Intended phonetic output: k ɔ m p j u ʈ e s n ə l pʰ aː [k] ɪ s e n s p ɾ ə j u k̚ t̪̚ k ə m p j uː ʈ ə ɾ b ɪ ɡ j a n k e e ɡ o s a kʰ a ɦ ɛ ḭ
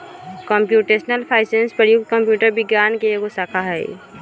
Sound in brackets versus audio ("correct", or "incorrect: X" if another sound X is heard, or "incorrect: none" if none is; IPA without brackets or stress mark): incorrect: none